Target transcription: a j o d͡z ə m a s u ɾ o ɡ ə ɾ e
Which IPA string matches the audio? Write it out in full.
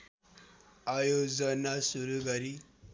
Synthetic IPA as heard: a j o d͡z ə n a s u ɾ u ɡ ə ɾ i